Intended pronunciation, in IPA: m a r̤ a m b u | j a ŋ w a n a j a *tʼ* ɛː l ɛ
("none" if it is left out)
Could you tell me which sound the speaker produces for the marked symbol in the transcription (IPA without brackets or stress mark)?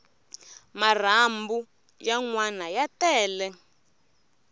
t